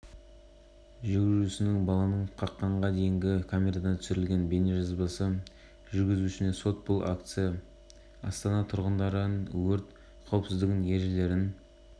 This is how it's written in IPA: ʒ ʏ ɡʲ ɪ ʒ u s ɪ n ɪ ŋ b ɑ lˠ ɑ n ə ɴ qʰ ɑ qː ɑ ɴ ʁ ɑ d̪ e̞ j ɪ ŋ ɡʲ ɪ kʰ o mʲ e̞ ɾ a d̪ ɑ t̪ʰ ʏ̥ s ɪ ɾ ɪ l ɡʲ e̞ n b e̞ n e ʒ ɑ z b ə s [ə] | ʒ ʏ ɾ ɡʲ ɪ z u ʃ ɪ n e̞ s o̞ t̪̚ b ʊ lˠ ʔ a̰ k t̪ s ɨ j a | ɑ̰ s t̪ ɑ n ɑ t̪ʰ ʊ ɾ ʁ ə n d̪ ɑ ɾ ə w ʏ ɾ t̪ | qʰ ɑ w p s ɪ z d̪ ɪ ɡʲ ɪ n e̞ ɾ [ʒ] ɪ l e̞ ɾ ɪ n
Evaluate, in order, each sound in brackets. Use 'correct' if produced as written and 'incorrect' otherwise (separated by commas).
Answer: correct, correct